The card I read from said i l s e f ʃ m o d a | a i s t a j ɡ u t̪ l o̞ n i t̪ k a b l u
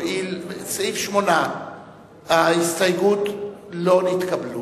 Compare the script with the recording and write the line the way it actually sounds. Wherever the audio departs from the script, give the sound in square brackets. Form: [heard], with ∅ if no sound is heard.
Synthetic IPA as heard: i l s [i] f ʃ m o [n] a | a i s t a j ɡ u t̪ l o̞ n i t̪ k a b l u